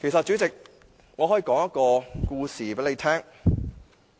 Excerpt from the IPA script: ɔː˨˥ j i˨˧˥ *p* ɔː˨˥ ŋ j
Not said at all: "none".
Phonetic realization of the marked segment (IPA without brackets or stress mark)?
k